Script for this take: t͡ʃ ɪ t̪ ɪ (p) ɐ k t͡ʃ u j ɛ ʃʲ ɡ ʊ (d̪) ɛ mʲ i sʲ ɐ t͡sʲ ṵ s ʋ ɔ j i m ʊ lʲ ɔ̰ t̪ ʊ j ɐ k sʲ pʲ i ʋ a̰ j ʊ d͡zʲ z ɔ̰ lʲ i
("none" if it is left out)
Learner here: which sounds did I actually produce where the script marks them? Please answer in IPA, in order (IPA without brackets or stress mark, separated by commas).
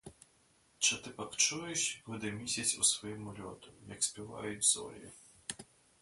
p, d̪